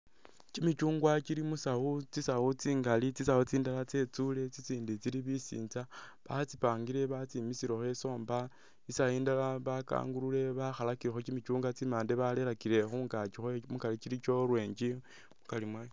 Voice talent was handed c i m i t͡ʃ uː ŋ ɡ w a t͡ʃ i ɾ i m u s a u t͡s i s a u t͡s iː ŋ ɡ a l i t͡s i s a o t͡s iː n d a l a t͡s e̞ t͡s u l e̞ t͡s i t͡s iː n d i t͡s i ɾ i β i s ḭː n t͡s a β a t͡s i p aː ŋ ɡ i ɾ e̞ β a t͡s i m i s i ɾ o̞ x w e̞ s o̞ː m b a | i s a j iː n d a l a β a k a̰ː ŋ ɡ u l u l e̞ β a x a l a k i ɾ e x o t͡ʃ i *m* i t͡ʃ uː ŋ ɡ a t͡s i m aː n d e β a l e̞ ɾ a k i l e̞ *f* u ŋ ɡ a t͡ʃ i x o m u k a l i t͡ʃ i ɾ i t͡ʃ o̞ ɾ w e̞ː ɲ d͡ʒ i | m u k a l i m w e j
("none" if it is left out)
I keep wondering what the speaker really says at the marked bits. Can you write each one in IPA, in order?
m, x

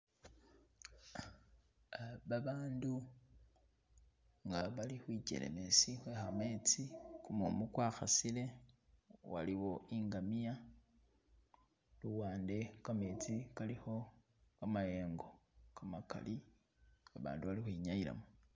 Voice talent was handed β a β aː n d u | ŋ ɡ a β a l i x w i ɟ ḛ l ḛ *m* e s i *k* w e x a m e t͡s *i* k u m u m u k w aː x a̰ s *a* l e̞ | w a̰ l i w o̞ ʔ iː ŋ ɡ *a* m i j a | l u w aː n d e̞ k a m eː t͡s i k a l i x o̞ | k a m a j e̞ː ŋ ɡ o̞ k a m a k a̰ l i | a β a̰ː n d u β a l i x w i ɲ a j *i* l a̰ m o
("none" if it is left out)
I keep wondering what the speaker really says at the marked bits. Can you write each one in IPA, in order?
m, x, i, i, a, i

